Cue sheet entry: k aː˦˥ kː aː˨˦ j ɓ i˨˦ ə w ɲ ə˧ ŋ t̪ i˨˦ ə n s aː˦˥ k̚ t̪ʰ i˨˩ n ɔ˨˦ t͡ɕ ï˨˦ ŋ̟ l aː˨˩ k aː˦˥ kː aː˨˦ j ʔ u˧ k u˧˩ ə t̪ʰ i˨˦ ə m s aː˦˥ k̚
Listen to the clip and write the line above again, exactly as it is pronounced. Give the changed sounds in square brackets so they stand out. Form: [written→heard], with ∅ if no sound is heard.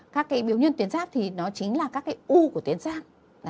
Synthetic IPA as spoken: k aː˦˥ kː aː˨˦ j ɓ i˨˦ ə w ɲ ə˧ [ŋ→n] t̪ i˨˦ ə n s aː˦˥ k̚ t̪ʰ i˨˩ n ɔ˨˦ t͡ɕ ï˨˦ ŋ̟ l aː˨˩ k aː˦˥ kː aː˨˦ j ʔ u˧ k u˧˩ ə [t̪ʰ→t̪] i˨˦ ə [m→n] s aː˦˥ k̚